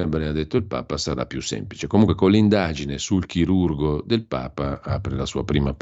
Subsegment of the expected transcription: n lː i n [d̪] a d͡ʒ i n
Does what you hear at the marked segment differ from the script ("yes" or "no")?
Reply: no